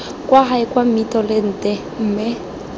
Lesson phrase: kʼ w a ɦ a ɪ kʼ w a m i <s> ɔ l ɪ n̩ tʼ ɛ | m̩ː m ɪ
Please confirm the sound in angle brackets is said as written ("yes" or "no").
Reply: no